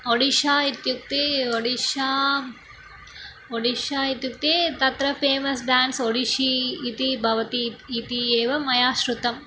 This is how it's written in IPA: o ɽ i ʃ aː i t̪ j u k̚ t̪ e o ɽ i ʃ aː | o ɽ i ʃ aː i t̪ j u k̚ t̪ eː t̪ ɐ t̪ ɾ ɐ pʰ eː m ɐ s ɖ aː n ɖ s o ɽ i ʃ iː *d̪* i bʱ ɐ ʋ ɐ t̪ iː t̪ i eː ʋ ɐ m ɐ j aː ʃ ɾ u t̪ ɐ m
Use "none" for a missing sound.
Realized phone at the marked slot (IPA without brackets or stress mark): t̪